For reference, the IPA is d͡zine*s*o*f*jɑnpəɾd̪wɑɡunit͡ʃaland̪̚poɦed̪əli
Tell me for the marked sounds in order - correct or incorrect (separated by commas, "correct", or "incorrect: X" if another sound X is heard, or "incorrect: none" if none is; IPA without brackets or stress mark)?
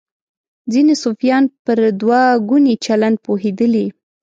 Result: correct, correct